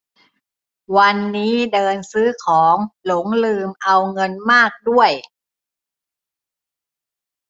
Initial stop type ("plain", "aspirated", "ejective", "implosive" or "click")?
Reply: plain